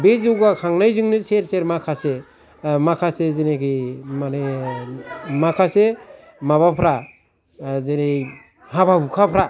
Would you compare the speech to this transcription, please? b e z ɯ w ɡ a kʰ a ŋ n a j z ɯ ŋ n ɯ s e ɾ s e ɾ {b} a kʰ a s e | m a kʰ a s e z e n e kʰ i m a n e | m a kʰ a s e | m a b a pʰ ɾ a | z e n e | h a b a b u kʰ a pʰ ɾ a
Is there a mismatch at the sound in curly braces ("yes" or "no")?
yes